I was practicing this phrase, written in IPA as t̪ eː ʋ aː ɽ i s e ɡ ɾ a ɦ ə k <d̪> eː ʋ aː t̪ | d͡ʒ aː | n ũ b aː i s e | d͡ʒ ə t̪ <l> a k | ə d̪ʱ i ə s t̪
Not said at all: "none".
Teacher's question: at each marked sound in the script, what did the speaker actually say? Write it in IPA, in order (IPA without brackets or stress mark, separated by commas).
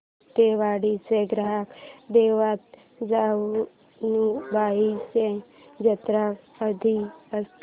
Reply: d̪, ɾ